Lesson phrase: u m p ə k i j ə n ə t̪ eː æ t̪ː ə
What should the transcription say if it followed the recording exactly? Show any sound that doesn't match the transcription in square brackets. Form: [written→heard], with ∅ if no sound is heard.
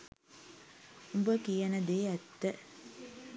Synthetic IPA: u m [p→b] ə k i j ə n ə [t̪→d̪] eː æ t̪ː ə